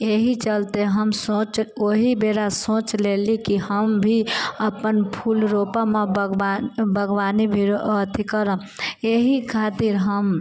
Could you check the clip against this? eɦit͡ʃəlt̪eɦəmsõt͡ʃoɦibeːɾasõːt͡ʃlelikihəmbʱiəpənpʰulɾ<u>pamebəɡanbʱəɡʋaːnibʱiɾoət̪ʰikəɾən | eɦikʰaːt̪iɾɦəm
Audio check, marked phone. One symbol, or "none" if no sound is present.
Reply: o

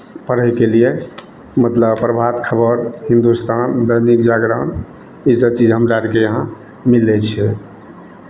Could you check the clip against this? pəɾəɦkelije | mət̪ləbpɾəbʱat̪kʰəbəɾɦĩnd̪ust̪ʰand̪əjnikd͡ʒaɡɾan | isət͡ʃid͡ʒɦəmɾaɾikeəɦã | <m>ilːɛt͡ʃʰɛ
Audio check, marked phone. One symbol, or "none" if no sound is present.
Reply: m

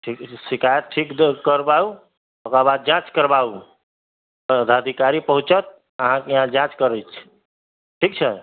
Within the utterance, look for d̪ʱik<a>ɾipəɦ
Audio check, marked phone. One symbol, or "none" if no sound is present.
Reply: a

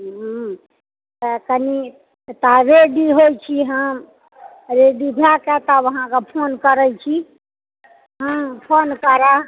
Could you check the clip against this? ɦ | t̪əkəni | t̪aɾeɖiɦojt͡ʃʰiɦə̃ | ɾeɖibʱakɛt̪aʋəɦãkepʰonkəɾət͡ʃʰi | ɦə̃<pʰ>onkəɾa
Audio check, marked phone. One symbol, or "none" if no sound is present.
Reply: pʰ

